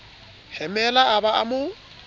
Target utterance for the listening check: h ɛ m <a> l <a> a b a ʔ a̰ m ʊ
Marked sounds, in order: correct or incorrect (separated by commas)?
incorrect, correct